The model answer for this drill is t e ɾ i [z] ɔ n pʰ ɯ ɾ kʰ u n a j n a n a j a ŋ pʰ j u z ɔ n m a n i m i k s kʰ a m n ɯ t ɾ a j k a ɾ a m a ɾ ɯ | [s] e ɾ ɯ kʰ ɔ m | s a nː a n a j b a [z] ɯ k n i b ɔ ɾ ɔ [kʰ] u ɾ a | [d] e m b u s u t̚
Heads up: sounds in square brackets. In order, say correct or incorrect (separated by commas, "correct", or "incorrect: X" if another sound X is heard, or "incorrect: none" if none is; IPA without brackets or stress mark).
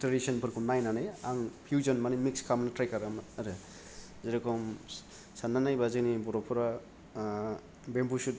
incorrect: s, incorrect: z, correct, incorrect: pʰ, incorrect: b